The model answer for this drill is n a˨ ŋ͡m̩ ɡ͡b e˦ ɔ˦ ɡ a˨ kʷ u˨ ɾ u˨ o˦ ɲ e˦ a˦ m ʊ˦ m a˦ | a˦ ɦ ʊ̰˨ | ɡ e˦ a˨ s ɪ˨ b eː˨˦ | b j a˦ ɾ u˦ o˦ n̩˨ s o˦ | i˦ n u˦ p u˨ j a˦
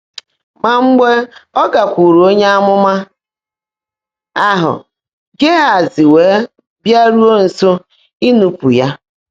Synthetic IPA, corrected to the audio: m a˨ ŋ͡m̩ ɡ͡b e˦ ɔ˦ ɡ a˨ kʷ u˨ ɾ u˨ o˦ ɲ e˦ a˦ m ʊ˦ m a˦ | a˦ ɦ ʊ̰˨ | ɡ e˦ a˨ z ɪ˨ w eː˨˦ | b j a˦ ɾ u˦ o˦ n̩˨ s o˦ | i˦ n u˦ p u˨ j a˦